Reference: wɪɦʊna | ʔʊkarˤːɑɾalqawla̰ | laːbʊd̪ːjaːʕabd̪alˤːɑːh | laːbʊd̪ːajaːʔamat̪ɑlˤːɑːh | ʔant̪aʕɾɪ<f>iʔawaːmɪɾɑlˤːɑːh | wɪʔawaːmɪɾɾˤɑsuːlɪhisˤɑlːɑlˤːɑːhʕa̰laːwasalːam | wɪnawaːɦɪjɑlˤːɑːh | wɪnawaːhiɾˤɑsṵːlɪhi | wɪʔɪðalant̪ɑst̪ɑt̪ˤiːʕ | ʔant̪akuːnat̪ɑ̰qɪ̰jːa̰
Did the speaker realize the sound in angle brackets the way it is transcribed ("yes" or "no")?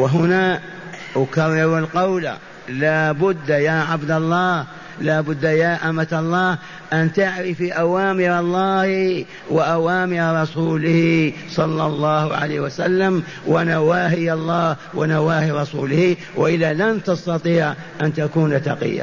yes